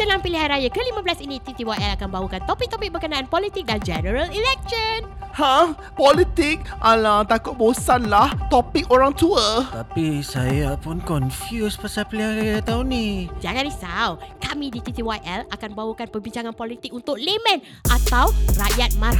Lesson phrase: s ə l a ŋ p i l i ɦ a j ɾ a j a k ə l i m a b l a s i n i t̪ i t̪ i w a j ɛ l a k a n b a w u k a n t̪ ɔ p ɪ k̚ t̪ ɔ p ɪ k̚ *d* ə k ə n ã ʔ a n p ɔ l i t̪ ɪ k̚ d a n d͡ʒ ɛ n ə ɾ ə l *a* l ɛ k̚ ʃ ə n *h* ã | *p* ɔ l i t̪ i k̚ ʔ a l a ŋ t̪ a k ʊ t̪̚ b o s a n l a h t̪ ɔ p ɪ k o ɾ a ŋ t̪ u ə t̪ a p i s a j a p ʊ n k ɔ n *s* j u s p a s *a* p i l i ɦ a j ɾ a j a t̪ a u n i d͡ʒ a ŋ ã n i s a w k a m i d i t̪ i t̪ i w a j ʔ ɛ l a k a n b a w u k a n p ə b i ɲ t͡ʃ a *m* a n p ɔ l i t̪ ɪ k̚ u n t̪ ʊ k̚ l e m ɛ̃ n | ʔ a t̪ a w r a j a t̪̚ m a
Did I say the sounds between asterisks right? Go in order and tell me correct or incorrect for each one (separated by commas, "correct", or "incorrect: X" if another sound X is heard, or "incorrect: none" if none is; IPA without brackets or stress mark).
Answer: incorrect: b, incorrect: i, correct, correct, incorrect: f, correct, incorrect: ŋ